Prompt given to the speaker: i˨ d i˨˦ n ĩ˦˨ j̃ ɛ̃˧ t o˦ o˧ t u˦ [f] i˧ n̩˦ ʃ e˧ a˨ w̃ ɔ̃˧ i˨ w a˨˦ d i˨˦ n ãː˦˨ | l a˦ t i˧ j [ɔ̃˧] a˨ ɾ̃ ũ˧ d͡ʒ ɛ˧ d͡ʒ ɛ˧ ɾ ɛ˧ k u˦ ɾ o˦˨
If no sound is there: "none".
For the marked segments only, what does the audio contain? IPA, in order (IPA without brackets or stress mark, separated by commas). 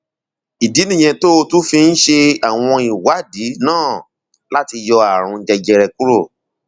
f, ɔ˧